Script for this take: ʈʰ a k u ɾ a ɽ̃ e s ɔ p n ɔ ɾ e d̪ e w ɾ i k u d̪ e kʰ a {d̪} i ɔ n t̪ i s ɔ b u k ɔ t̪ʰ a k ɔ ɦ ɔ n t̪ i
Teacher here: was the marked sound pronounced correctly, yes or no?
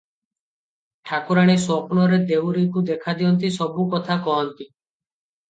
yes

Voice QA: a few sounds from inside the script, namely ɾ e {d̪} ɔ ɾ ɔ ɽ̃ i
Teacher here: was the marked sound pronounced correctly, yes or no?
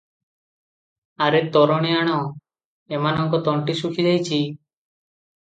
no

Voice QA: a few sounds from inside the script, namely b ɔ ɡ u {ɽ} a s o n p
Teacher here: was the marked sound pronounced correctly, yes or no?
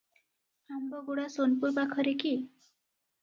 yes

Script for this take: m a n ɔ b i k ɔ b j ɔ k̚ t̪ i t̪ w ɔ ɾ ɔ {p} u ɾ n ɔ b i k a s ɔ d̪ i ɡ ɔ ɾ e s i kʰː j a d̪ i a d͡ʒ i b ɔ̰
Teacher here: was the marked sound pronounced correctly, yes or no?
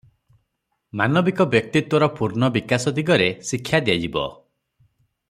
yes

